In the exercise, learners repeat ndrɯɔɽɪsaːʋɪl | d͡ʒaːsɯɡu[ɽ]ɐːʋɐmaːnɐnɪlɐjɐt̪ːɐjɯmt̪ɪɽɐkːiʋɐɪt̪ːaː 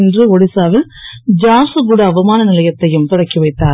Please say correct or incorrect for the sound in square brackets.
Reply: correct